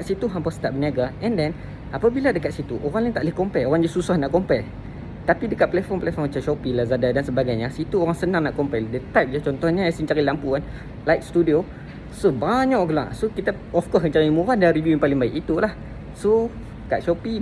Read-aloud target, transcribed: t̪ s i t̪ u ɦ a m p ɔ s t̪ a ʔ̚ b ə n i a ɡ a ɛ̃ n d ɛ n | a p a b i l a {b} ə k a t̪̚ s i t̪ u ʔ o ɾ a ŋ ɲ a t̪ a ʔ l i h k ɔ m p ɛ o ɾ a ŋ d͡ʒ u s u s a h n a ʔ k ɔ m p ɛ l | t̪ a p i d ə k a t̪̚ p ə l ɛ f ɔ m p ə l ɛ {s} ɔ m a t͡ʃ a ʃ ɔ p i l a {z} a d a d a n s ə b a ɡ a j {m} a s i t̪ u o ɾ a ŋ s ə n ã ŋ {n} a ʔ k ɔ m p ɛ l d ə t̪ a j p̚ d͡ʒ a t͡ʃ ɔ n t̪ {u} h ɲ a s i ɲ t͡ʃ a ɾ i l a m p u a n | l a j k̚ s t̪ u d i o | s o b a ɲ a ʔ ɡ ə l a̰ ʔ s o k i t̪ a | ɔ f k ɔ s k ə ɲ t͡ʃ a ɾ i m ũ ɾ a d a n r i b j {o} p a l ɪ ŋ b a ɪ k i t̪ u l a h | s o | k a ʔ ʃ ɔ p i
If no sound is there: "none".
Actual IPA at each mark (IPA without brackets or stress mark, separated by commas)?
d, f, z, ɲ, n, ɔ, u